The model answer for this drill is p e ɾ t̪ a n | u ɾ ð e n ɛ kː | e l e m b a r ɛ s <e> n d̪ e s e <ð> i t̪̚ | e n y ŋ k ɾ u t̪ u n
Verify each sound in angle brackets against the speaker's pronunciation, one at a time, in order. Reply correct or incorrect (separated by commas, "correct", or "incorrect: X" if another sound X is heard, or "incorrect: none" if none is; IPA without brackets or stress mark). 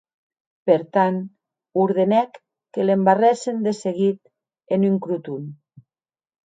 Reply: correct, incorrect: ɣ